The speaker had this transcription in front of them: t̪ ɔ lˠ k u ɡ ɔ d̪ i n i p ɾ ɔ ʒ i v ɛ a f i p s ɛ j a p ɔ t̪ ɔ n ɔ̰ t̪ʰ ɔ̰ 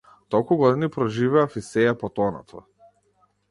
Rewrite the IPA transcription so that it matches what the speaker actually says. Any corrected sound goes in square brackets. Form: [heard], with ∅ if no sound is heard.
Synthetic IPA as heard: t̪ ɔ lˠ k u ɡ ɔ d̪ i n i p ɾ ɔ ʒ i v ɛ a f i [∅] s ɛ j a p ɔ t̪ ɔ n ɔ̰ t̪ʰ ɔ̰